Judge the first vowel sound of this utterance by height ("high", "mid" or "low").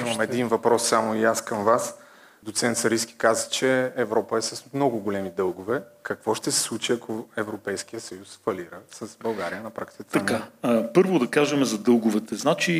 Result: high